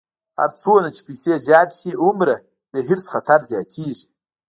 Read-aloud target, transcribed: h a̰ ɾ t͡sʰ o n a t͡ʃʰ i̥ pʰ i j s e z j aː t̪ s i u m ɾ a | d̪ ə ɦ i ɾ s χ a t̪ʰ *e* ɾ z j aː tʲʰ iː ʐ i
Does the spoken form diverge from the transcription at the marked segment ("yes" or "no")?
yes